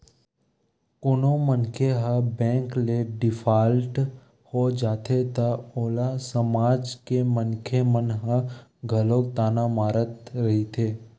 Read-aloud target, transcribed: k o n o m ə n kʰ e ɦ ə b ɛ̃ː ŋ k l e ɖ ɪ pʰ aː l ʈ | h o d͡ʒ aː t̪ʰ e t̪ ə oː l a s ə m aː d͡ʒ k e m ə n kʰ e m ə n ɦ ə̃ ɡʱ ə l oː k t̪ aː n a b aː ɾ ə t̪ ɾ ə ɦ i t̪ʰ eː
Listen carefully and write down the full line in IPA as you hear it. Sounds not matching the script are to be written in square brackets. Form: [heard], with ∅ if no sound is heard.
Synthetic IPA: k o n o m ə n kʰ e ɦ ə b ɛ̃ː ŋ k l e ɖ ɪ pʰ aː l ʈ | h o d͡ʒ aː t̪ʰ e t̪ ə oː l a s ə m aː d͡ʒ k e m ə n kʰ e m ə n ɦ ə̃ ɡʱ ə l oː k t̪ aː n a [m] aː ɾ ə t̪ ɾ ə ɦ i t̪ʰ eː